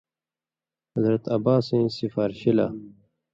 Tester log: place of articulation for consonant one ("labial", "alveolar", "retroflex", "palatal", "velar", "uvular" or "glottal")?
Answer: glottal